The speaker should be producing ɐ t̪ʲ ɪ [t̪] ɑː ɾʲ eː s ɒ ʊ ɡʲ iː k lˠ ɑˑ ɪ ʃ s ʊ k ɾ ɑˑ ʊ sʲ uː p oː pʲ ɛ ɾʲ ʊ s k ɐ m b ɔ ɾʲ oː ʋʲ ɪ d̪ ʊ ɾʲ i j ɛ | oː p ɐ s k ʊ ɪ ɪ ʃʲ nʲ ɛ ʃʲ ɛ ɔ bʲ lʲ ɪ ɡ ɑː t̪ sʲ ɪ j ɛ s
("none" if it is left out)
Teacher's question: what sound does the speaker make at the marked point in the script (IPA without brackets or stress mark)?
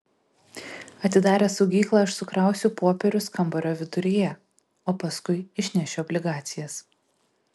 d̪